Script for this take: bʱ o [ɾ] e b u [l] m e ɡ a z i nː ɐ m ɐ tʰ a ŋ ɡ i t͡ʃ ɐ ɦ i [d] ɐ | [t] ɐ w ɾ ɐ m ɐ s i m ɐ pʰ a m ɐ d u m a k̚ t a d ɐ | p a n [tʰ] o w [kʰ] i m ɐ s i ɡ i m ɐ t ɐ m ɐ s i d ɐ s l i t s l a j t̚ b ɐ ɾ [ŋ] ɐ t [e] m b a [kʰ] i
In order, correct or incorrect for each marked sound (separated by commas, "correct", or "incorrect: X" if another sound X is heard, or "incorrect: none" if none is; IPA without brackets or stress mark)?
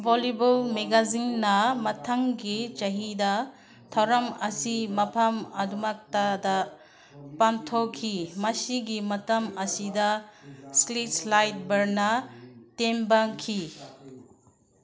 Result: incorrect: l, correct, correct, incorrect: tʰ, correct, correct, incorrect: n, correct, correct